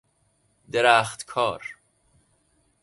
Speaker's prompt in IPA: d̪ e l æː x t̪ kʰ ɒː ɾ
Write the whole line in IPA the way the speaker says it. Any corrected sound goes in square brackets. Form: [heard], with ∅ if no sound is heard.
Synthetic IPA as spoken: d̪ e [ɾ] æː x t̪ kʰ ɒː ɾ